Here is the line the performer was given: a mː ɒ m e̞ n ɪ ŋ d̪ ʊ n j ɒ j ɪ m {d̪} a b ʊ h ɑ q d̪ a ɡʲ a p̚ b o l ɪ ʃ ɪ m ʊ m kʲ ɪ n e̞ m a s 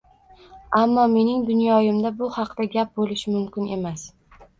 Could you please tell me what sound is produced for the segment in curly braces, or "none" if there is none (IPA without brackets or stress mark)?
d̪